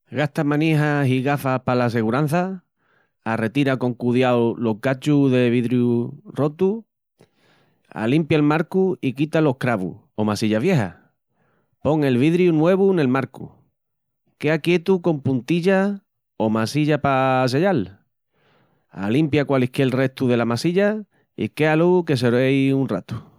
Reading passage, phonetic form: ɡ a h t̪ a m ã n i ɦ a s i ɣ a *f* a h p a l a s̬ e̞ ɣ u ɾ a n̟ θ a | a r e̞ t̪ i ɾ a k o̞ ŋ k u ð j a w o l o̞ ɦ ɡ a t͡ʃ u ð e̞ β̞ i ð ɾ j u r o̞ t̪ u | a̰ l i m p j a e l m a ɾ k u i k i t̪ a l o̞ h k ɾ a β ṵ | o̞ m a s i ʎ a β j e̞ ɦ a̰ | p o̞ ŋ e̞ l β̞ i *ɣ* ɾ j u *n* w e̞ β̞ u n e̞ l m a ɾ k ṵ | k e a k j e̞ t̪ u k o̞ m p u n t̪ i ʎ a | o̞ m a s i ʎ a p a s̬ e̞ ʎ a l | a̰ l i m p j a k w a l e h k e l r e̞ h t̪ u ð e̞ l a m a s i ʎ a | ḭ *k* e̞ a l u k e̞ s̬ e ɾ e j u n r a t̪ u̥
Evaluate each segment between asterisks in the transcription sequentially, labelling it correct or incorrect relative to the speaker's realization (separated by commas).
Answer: correct, incorrect, correct, correct